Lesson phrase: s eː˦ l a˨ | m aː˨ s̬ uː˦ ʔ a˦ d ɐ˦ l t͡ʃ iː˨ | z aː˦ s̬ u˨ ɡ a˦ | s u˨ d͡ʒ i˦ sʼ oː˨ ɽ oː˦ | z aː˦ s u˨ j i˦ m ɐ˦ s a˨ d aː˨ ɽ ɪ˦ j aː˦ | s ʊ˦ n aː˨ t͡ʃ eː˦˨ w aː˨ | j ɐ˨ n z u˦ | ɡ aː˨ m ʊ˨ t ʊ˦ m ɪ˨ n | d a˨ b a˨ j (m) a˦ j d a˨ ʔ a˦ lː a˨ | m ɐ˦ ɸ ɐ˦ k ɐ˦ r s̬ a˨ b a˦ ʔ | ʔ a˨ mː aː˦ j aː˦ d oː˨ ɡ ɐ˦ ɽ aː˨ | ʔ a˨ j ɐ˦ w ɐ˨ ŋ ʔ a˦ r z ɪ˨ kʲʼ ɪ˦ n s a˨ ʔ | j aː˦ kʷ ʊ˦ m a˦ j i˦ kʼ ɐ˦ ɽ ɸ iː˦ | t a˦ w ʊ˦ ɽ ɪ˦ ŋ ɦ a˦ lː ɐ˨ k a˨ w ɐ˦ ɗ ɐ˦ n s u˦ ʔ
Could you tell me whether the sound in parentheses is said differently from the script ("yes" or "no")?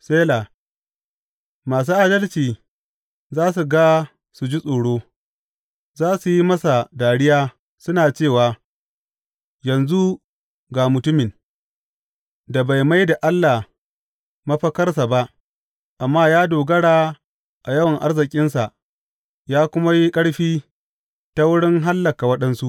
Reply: no